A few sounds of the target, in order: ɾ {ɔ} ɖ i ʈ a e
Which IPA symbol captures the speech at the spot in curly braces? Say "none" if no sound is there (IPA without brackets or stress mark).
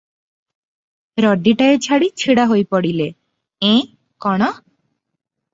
ɔ